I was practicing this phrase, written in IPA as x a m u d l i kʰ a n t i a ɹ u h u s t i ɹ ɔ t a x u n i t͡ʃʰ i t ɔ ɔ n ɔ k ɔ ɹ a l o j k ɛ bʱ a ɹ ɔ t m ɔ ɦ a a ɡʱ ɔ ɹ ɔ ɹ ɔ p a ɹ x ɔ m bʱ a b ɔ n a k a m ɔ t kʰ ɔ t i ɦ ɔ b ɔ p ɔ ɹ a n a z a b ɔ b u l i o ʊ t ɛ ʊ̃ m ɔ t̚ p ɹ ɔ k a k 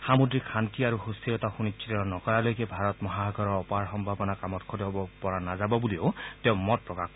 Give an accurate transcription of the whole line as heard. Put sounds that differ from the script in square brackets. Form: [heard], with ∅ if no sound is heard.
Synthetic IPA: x a m u d [ɹ] i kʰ a n t i a ɹ u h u s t i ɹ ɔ t a x u n i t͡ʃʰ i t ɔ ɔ n ɔ k ɔ ɹ a l o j k ɛ bʱ a ɹ ɔ t m ɔ ɦ a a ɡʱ ɔ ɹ ɔ ɹ ɔ p a ɹ x ɔ m bʱ a b ɔ n a k a m ɔ t kʰ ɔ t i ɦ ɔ b ɔ p ɔ ɹ a n a z a b ɔ b u l i o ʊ t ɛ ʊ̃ m ɔ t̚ p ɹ ɔ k a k